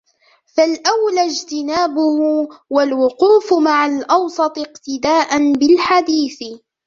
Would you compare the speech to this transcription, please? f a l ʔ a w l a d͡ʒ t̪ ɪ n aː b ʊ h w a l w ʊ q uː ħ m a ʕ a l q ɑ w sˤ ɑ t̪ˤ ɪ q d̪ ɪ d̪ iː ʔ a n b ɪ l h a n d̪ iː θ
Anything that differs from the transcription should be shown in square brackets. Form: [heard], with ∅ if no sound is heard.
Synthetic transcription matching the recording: f a l ʔ a w l a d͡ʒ t̪ ɪ n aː b ʊ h w a l w ʊ q uː [f] m a ʕ a l [ʔ] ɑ w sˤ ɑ t̪ˤ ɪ q [t̪] ɪ d̪ [aː] ʔ a n b ɪ l [ħ] a [∅] d̪ iː θ